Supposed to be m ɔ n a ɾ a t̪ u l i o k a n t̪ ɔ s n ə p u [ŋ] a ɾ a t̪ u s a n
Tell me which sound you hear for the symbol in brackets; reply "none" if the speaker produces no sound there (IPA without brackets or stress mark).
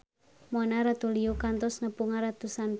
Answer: ŋ